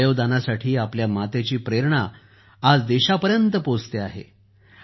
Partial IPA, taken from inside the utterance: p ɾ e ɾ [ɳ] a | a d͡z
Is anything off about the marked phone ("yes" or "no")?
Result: no